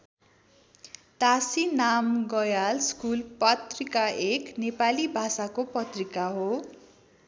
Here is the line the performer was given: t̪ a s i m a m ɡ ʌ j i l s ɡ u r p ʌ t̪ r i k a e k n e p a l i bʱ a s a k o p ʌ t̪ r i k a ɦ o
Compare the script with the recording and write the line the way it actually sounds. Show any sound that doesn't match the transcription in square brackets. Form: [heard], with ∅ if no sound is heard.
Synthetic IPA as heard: t̪ a s i [n] a m ɡ ʌ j [a] l s [k] u [l] p ʌ t̪ r i k a e k n e p a l i bʱ a s a k o p ʌ t̪ r i k a ɦ o